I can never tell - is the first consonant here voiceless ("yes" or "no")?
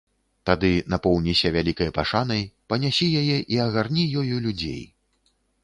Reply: yes